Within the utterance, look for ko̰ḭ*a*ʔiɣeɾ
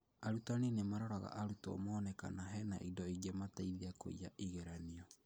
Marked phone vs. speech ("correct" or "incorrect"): correct